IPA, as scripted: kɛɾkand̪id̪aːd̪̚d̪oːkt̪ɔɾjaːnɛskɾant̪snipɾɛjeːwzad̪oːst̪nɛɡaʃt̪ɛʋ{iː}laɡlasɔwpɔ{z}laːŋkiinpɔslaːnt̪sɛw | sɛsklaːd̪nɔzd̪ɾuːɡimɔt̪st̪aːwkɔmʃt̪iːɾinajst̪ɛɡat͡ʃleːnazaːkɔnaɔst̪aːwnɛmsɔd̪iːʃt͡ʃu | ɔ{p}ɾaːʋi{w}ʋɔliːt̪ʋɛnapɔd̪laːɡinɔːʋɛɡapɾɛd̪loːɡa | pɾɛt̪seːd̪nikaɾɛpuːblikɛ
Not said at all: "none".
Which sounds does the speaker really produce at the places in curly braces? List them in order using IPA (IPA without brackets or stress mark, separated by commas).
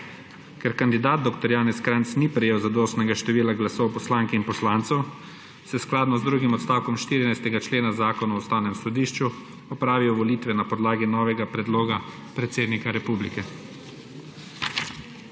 iː, s, p, w